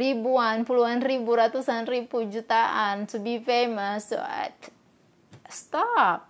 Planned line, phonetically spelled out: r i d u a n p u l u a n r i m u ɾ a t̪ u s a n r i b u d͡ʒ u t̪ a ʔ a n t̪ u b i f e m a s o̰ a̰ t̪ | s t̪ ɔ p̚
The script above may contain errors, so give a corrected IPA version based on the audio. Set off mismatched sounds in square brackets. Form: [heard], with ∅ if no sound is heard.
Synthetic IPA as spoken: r i [b] u a n p u l u a n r i [b] u ɾ a t̪ u s a n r i b u d͡ʒ u t̪ a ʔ a n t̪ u b i f e m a s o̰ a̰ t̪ | s t̪ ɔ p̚